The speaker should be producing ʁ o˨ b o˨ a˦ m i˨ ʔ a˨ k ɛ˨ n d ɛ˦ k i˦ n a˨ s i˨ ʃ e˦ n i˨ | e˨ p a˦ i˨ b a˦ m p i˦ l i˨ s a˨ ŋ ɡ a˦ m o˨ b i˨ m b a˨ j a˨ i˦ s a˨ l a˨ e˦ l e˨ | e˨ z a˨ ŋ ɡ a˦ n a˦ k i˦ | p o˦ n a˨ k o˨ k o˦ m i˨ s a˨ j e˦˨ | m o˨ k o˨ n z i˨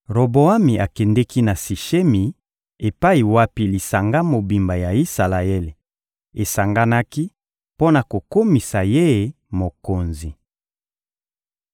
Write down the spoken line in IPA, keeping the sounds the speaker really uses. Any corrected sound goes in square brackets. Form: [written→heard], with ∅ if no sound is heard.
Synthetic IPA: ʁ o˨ b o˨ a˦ m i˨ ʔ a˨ k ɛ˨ n d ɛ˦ k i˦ n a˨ s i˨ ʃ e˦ [n→m] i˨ | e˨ p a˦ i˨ [b→w] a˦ [m→∅] p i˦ l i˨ s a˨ ŋ ɡ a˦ m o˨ b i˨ m b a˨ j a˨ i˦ s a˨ l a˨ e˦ l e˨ | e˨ [z→s] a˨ ŋ ɡ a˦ n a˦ k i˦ | p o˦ n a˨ k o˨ k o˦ m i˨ s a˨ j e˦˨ | m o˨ k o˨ n z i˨